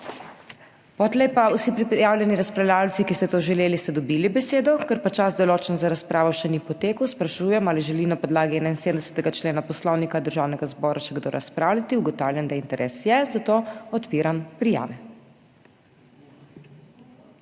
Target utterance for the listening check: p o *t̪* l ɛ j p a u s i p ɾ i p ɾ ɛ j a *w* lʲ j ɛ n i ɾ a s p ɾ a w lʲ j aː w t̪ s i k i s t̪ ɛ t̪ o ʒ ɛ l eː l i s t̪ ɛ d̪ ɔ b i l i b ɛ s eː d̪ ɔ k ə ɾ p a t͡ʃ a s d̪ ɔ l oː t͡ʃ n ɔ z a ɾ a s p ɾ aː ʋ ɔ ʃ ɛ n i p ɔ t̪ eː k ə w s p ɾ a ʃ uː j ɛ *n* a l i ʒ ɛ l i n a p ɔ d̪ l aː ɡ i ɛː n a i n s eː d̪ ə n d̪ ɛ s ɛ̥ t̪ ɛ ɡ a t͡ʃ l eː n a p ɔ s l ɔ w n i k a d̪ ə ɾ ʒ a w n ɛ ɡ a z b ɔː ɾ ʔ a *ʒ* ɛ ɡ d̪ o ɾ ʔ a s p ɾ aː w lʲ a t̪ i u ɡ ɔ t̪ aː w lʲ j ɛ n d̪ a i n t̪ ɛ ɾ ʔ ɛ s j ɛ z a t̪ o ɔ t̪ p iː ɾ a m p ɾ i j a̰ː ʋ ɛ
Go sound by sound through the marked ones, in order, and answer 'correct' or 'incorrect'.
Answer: correct, correct, incorrect: m, incorrect: ʃ

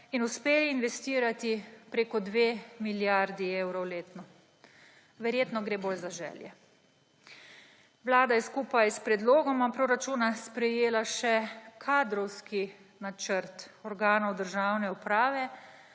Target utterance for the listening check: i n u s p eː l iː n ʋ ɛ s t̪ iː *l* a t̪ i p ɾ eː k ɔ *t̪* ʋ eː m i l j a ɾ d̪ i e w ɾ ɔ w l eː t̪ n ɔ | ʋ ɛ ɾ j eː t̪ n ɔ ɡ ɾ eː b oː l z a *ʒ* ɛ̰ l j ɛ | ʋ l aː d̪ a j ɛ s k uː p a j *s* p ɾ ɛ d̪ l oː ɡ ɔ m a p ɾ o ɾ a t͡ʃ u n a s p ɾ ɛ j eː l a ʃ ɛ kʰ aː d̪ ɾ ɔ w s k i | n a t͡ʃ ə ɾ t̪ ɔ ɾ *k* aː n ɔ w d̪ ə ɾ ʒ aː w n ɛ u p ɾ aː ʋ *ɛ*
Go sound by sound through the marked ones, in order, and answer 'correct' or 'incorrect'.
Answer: incorrect: ɾ, incorrect: d̪, correct, correct, incorrect: ɡ, correct

